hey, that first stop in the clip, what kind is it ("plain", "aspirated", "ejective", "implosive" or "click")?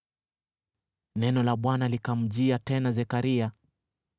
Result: implosive